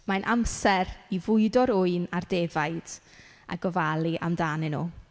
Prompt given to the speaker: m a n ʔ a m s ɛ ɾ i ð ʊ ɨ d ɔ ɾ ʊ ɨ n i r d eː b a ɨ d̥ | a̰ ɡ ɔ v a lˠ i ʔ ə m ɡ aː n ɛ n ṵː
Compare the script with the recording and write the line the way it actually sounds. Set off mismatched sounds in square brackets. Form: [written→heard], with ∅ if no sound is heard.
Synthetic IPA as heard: m a n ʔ a m s ɛ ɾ i [ð→v] ʊ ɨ d ɔ ɾ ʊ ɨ n [i→a] r d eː [b→v] a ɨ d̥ | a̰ ɡ ɔ v a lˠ i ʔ [ə→a] m [ɡ→d] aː n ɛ n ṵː